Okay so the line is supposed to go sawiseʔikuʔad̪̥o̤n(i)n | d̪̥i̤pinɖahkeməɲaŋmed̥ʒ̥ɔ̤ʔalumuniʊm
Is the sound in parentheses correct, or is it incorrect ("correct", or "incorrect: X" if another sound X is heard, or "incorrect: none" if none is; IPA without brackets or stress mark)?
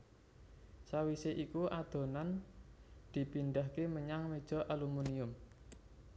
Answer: incorrect: a